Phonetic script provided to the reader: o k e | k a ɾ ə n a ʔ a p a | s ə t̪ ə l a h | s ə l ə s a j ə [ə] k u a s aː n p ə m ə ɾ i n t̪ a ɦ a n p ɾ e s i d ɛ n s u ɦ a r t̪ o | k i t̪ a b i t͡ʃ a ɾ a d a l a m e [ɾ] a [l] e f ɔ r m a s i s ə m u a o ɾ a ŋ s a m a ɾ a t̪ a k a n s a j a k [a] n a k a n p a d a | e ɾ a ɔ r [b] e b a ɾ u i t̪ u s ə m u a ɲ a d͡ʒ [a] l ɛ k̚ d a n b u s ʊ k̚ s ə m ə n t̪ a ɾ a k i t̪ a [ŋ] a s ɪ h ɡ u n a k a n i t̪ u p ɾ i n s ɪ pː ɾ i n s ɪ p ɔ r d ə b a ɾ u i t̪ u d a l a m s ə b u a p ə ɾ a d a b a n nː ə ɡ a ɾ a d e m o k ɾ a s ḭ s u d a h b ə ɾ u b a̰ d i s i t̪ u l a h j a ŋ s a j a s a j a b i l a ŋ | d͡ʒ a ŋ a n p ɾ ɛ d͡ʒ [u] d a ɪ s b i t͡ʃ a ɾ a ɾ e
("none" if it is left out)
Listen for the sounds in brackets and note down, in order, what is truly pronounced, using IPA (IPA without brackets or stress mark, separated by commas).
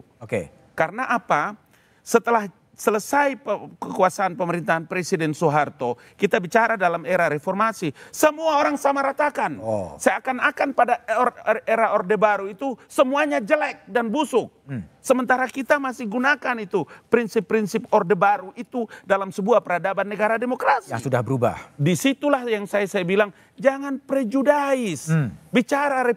ə, ɾ, ɾ, a, d, ə, m, u